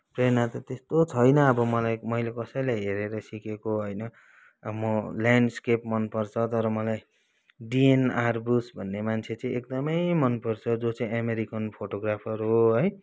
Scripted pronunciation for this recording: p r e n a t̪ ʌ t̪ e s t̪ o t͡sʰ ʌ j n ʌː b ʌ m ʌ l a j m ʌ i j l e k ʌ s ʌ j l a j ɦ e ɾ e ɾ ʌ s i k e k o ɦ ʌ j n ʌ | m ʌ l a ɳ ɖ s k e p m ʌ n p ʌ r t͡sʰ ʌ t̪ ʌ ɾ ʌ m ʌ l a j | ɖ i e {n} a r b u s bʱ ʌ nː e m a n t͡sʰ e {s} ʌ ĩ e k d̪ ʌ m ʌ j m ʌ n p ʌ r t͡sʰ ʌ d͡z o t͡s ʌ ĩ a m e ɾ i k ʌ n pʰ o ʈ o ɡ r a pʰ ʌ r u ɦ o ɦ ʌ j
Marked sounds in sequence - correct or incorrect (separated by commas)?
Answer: correct, incorrect